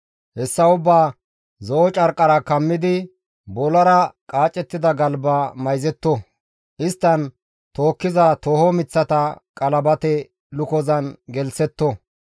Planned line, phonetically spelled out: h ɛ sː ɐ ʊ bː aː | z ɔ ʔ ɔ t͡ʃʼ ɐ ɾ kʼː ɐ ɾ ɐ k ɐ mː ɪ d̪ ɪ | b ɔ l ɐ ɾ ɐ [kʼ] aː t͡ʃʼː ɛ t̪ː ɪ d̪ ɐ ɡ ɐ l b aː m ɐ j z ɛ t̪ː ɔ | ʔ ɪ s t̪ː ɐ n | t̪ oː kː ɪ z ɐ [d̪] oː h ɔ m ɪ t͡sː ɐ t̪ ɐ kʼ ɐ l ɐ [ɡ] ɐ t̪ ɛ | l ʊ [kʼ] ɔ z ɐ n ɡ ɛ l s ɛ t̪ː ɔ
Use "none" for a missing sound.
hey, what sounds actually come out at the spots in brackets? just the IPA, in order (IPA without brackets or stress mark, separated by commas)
kʼ, t̪, b, k